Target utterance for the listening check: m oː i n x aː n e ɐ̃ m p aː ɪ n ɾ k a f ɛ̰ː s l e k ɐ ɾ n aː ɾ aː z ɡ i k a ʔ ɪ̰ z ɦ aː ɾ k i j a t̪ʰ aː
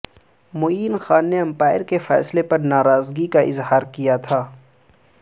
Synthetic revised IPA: m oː iː n x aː nː e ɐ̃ m p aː ɪ ɾ k e f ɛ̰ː s l e p ɐ ɾ n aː ɾ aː z ɡ i k a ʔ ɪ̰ z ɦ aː ɾ k i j a t̪ʰ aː